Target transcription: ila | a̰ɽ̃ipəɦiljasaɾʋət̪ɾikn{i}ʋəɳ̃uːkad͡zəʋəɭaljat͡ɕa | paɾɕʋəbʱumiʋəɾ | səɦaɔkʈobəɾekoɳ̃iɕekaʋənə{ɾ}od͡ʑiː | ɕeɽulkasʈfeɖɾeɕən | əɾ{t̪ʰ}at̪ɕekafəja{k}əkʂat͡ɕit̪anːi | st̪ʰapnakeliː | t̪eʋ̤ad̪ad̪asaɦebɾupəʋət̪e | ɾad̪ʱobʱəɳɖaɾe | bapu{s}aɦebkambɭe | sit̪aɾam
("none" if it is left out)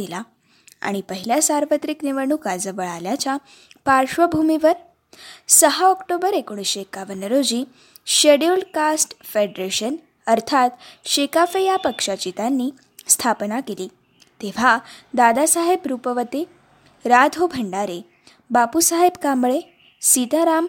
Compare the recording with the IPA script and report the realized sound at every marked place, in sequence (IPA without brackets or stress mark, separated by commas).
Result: i, ɾ, t̪ʰ, p, s